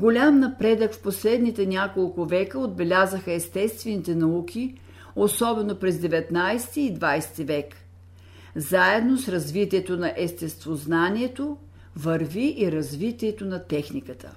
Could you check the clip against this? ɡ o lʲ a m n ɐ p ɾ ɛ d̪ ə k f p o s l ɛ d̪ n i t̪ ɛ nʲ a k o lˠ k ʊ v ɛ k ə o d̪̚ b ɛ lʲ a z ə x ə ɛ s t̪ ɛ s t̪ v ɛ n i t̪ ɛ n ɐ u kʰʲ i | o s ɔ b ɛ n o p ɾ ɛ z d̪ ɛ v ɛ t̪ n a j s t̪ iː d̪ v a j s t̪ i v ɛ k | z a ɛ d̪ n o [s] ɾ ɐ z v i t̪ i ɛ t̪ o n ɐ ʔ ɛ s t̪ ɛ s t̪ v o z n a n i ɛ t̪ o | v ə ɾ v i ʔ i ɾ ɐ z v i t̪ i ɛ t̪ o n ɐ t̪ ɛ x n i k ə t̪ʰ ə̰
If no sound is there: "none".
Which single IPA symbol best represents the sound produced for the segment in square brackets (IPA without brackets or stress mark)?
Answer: s